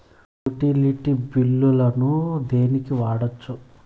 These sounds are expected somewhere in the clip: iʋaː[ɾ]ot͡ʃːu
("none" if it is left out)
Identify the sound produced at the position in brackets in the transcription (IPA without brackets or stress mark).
ɽ